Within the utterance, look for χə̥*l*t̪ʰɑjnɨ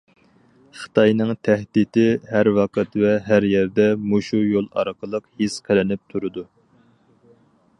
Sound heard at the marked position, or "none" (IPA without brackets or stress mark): none